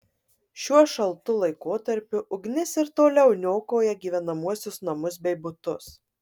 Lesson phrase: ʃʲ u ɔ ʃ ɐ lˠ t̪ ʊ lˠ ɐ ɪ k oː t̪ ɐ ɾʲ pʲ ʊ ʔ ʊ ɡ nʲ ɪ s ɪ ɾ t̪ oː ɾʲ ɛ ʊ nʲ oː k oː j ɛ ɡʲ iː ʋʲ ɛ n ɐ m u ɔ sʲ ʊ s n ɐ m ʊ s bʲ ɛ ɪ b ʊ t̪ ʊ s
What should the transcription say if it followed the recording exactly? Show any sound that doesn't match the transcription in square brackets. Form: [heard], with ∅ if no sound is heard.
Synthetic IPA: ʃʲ u ɔ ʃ ɐ lˠ t̪ ʊ lˠ ɐ ɪ k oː t̪ ɐ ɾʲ pʲ ʊ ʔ ʊ ɡ nʲ ɪ s ɪ ɾ t̪ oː [lʲ] ɛ ʊ nʲ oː k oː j ɛ ɡʲ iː ʋʲ ɛ n ɐ m u ɔ sʲ ʊ s n ɐ m ʊ s bʲ ɛ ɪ b ʊ t̪ ʊ s